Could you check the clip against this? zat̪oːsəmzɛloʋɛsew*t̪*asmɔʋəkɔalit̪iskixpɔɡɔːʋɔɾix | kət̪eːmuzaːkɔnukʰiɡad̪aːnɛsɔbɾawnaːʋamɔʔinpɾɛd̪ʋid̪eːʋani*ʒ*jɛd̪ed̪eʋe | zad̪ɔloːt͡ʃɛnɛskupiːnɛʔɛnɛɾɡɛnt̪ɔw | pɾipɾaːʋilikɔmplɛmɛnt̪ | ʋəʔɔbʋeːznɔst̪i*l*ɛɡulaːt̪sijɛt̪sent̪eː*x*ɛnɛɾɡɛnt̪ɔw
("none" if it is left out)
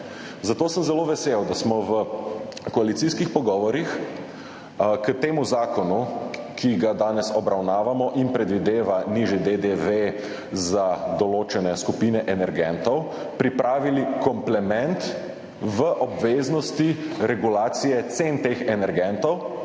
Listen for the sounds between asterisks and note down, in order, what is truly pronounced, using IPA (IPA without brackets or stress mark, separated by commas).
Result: d̪, ʒ, ɾ, x